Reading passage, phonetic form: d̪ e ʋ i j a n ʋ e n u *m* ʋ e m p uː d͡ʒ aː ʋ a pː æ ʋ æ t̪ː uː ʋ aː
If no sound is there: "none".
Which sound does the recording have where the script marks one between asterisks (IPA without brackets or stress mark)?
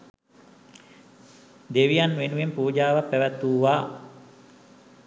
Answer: none